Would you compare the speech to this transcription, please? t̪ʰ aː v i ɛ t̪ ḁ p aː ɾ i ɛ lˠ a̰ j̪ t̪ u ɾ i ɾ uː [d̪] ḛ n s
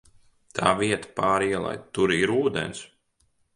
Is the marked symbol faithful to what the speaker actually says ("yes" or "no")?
yes